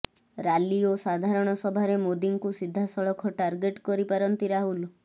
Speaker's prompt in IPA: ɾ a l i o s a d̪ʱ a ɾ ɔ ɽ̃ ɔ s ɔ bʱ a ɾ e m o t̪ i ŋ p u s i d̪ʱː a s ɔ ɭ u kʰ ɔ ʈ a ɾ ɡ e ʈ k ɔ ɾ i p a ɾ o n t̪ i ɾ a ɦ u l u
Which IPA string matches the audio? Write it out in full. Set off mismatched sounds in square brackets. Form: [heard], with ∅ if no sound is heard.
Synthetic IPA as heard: ɾ a l i o s a d̪ʱ a ɾ ɔ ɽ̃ ɔ s ɔ bʱ a ɾ e m o [d̪] i ŋ [k] u s i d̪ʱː a s ɔ ɭ [ɔ] kʰ ɔ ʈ a ɾ ɡ e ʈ k ɔ ɾ i p a ɾ [ɔ] n t̪ i ɾ a ɦ u l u